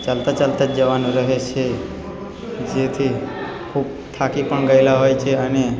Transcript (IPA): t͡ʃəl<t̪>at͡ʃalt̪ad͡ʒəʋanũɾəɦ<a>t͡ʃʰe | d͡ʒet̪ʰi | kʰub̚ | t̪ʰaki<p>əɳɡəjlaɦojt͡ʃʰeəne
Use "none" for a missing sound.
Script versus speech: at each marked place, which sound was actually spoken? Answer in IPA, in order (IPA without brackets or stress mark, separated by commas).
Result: t̪, e, p